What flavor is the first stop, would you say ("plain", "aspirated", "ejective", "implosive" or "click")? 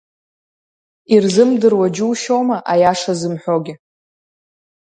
plain